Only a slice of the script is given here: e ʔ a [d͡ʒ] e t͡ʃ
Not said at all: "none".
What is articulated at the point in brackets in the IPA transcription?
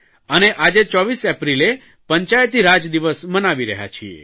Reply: d͡ʒ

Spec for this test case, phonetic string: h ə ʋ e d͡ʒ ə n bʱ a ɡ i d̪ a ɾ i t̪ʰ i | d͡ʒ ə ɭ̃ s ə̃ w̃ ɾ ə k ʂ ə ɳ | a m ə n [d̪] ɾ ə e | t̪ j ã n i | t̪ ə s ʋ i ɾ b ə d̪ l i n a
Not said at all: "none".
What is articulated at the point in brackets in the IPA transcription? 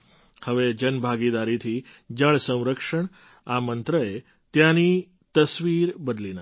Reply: t̪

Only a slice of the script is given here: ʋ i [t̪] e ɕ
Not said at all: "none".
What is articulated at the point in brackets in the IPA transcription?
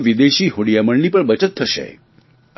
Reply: d̪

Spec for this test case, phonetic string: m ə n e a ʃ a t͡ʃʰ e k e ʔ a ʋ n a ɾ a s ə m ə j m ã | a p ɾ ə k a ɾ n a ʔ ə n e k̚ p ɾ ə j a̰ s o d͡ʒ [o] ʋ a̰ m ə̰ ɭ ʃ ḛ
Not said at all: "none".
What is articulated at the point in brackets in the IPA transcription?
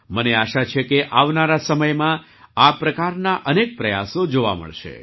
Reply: o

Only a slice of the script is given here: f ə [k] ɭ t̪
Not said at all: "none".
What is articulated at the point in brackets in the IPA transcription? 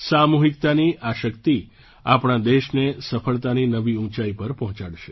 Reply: none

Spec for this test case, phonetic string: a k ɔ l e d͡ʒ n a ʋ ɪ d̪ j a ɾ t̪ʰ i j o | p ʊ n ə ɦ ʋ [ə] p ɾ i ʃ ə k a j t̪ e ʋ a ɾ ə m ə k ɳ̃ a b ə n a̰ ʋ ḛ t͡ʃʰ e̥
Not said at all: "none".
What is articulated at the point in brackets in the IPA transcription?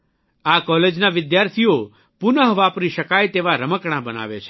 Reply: a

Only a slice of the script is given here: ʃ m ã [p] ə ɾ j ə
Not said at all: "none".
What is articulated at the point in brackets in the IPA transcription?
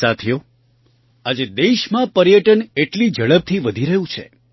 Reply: p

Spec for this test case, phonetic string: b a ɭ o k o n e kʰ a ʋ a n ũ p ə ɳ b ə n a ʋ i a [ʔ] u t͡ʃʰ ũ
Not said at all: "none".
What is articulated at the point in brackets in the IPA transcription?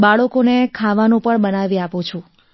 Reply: p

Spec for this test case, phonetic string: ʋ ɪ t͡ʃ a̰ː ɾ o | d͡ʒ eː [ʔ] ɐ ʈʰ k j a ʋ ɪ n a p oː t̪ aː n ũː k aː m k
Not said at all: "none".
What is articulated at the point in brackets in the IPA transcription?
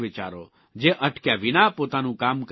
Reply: ʔ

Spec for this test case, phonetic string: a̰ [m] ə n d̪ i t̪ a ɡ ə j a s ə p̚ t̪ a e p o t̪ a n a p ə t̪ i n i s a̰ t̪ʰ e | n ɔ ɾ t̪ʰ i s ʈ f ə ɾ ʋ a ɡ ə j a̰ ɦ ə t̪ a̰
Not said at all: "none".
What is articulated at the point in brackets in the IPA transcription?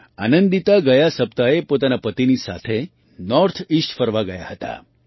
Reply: n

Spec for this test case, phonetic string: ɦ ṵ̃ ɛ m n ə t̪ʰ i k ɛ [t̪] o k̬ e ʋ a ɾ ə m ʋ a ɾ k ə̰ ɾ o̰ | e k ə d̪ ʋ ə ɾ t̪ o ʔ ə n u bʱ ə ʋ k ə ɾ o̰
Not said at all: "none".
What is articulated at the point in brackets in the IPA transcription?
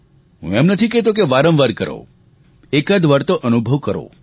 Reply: t̪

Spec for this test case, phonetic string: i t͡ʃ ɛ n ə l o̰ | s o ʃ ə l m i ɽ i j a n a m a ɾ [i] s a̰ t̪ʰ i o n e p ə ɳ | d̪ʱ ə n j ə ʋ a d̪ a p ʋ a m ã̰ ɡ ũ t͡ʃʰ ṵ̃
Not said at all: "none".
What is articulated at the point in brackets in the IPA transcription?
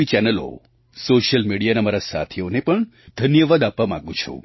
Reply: a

